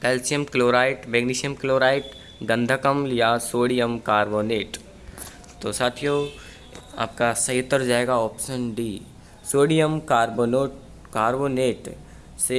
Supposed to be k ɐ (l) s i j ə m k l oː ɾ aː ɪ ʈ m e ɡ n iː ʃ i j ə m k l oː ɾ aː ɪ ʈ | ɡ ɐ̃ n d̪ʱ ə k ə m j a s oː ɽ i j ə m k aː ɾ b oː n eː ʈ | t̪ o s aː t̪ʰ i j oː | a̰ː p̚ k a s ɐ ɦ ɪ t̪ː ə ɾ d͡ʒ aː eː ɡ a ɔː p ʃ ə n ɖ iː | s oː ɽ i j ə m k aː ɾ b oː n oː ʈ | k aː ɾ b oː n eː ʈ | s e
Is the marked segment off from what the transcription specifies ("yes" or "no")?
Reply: no